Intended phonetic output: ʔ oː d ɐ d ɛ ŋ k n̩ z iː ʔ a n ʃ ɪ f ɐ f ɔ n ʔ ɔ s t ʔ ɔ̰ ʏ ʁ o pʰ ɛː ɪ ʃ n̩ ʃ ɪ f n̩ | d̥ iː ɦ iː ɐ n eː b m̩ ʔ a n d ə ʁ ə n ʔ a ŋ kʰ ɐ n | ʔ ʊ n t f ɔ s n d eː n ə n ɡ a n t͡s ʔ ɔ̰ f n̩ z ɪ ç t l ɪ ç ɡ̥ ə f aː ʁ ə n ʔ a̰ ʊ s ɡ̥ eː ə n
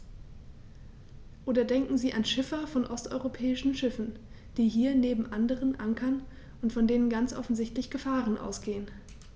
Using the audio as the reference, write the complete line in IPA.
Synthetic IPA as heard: ʔ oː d ɐ d ɛ ŋ k ŋ̩ z iː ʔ a n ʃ ɪ f ɐ f ɔ n ʔ ɔ s t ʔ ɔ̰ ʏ ʁ o pʰ ɛː ɪ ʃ n̩ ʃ ɪ f n̩ | d̥ iː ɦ iː ɐ n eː b m̩ ʔ a n d ə ʁ ə n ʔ a ŋ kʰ ɐ n | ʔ ʊ n t f ɔ n d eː n ə n ɡ a n t͡s ʔ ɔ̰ f n̩ z ɪ ç t l ɪ ç ɡ̥ ə f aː ʁ ə n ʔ a̰ ʊ s ɡ̥ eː ə n